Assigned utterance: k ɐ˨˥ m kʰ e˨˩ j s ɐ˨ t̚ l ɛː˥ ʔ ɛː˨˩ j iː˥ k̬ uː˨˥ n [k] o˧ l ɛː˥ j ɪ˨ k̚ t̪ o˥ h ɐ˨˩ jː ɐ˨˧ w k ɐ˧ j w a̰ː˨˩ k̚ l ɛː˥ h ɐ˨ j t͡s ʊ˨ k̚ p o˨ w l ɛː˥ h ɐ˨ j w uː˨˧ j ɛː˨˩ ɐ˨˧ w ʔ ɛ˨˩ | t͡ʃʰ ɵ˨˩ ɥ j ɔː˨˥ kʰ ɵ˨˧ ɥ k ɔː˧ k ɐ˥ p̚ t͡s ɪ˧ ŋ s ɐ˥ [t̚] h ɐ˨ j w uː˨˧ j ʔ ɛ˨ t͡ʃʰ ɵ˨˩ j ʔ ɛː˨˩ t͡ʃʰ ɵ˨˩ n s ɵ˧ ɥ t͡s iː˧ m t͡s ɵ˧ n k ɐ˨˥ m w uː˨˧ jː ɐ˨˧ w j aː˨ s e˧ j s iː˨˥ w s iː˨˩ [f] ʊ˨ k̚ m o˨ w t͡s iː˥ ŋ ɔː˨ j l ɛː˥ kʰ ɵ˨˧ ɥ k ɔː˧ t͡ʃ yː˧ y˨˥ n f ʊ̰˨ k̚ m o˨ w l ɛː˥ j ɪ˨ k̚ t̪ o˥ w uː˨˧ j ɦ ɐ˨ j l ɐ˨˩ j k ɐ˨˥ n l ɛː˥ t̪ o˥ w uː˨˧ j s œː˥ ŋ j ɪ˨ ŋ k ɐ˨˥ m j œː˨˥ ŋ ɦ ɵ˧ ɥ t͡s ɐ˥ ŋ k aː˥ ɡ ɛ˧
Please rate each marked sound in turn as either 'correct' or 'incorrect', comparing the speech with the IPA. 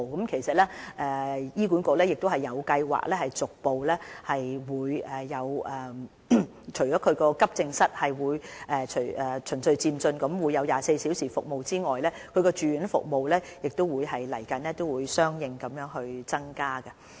correct, correct, correct

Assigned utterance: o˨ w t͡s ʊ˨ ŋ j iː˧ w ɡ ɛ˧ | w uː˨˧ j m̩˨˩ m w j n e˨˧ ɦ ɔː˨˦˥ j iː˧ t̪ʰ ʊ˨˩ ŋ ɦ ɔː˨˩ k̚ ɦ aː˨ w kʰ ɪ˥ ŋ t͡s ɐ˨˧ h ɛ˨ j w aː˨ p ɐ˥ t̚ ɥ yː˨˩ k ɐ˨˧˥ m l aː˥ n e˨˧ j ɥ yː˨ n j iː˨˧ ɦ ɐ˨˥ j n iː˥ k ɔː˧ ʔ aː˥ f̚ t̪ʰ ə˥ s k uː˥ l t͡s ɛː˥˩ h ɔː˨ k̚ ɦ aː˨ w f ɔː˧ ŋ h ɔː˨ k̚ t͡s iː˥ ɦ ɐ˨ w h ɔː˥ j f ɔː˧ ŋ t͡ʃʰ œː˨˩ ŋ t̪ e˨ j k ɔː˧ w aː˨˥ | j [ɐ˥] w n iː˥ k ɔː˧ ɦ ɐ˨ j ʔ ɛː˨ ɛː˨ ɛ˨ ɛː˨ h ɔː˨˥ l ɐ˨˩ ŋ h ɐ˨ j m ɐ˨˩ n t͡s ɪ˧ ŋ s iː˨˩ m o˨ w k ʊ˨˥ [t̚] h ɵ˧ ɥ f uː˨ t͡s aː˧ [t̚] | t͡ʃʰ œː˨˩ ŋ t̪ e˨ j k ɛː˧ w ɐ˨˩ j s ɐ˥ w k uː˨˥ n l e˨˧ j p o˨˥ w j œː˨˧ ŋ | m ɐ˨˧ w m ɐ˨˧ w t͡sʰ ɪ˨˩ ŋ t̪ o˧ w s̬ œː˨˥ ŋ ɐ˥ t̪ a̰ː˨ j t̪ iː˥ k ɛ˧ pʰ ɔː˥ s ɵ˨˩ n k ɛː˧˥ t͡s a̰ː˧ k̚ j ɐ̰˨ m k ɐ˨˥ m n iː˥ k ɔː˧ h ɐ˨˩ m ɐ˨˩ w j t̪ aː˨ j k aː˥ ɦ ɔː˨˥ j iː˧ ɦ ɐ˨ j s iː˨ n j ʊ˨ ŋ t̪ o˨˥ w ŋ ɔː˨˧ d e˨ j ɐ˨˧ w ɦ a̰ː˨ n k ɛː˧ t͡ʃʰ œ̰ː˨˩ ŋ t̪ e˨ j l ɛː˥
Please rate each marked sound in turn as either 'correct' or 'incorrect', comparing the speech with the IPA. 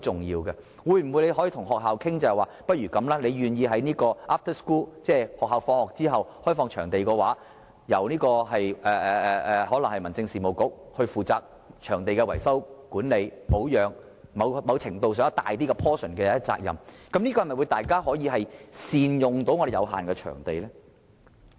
incorrect: ɐ˨˩, incorrect: k̚, incorrect: k̚

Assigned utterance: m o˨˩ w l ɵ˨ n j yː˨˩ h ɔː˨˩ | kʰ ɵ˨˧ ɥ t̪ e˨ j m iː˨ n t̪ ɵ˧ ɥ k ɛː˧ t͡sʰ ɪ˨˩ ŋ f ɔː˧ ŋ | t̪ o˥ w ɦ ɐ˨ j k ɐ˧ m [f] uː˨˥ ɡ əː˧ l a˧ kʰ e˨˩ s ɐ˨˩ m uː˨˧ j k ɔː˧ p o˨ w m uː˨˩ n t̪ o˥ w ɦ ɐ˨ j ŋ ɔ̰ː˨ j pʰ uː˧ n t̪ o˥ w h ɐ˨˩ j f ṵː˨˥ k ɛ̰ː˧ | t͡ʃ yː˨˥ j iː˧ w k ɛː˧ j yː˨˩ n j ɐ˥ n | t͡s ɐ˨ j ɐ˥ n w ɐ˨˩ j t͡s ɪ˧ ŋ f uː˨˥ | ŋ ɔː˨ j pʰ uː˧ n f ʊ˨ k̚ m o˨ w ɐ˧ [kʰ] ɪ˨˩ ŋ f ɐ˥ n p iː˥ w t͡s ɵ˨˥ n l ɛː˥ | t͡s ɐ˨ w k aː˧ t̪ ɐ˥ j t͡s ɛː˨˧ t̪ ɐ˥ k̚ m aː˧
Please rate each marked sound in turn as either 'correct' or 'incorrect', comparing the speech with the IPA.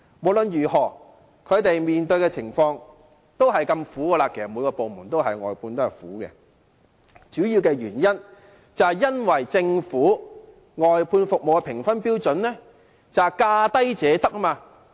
correct, incorrect: pʰ

